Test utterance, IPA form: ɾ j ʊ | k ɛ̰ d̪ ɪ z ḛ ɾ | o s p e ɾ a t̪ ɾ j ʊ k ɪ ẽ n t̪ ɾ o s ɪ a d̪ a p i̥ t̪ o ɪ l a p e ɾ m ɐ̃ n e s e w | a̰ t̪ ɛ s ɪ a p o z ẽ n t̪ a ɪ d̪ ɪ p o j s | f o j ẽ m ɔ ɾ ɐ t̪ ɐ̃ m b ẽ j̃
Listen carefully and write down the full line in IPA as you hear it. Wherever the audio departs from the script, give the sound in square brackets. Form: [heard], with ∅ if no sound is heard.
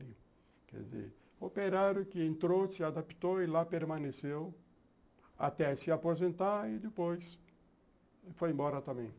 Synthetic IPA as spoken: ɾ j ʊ | k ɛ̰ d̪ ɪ z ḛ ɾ | o [∅] p e ɾ a [∅] ɾ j ʊ k ɪ ẽ n t̪ ɾ o s ɪ a d̪ a p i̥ t̪ o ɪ l a p e ɾ m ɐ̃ n e s e w | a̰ t̪ ɛ s ɪ a p o z ẽ n t̪ a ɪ d̪ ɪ p o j s | f o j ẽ [b] ɔ ɾ ɐ t̪ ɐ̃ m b ẽ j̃